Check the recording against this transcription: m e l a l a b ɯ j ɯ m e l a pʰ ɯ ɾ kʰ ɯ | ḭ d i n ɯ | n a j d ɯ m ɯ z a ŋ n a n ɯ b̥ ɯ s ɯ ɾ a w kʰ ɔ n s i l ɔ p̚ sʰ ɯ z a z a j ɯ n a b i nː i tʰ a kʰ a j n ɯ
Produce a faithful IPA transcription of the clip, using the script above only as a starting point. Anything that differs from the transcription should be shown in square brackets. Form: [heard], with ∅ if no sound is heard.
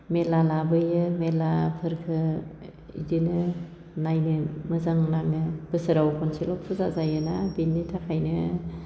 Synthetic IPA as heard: m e l a l a b ɯ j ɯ m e l a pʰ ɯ ɾ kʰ ɯ | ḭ d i n ɯ | n a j [n] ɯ m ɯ z a ŋ n a [ŋ] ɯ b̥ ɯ s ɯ ɾ a w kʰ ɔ n s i l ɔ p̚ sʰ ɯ z a z a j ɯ n a b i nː i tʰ a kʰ a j n ɯ